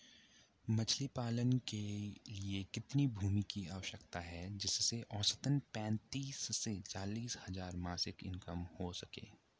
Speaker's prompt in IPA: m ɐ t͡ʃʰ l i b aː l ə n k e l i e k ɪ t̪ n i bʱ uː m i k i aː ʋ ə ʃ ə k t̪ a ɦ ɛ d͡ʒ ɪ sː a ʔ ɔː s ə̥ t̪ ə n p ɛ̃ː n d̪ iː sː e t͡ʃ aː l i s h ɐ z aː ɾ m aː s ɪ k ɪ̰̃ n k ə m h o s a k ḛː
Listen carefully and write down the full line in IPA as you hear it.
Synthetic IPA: m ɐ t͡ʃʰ l i p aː l ə n k e l i e k ɪ t̪ n i bʱ uː m i k i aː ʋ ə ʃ ə k t̪ a ɦ ɛ d͡ʒ ɪ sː e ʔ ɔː s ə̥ t̪ ə n p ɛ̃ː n t̪ iː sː e t͡ʃ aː l iː s h ɐ z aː ɾ m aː s ɪ k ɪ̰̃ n k ə m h o s ɐ k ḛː